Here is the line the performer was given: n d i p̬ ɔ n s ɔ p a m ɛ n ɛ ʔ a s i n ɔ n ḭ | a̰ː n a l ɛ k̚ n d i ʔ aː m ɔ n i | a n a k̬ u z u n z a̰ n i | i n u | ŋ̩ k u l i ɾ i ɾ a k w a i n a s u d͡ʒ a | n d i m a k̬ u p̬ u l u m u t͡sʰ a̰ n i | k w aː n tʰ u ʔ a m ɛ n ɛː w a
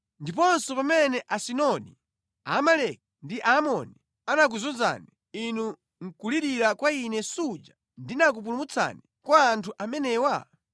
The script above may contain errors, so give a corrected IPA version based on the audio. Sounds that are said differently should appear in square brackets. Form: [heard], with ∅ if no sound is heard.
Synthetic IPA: n d i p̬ ɔ n s ɔ p a m ɛ n ɛ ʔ a s i n ɔ n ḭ | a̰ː [m] a l ɛ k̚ n d i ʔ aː m ɔ n i | a n a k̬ u z u n z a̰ n i | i n u | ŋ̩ k u l i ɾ i ɾ a k w a i n [ɛ] s u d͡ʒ a | n d i [n] a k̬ u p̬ u l u m u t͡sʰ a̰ n i | k w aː n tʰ u ʔ a m ɛ n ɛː w a